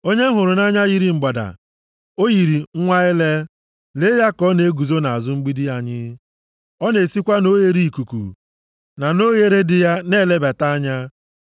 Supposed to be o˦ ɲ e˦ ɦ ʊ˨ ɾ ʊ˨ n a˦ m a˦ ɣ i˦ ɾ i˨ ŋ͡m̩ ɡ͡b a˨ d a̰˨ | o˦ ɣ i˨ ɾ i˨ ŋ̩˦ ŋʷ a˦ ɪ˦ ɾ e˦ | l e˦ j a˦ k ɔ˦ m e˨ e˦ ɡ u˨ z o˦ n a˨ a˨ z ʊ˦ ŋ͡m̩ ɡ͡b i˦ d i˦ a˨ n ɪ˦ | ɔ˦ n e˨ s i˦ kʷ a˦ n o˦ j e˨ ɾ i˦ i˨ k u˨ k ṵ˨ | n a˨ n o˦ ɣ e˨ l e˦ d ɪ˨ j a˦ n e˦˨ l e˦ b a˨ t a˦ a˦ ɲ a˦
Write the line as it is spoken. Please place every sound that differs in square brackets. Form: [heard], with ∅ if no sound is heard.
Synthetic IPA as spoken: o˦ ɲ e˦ ɦ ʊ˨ ɾ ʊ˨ n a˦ [ɲ] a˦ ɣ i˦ ɾ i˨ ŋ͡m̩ ɡ͡b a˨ d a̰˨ | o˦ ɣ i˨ ɾ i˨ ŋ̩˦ ŋʷ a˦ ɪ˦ [l] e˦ | l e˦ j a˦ k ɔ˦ [n] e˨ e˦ ɡ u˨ z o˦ n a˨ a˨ z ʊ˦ ŋ͡m̩ ɡ͡b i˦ d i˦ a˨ [ɲ] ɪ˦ | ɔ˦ n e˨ s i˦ kʷ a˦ n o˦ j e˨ ɾ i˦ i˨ k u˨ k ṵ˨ | n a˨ n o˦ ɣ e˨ [ɾ] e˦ d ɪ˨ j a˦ n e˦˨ l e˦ b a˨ t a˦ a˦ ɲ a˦